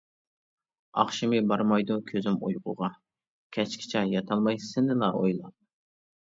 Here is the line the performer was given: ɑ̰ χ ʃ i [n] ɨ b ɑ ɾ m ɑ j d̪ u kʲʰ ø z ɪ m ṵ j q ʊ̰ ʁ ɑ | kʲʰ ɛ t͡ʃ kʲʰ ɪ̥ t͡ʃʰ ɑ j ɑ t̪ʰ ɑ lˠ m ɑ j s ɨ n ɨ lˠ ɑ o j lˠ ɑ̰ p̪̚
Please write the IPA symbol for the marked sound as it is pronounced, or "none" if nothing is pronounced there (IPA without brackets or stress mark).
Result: m